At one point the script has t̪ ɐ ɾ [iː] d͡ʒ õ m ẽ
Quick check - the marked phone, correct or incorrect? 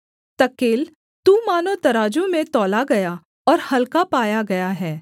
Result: incorrect